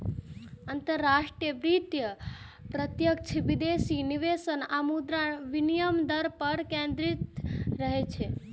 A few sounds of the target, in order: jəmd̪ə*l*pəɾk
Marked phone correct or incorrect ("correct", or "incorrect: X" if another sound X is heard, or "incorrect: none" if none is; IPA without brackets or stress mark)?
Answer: incorrect: ɾ